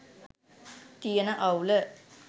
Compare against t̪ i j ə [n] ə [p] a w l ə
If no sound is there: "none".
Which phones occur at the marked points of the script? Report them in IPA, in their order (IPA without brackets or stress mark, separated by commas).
n, ʔ